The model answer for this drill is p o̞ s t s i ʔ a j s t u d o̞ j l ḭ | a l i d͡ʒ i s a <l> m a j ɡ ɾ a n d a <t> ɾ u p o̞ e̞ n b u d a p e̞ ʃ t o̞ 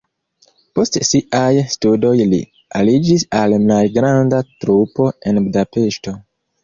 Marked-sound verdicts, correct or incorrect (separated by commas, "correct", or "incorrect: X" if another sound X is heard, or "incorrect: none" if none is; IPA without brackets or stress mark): correct, correct